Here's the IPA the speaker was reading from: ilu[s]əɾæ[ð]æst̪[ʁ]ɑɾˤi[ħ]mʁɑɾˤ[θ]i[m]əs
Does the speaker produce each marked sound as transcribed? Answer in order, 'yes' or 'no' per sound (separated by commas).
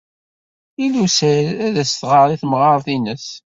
yes, yes, yes, no, yes, no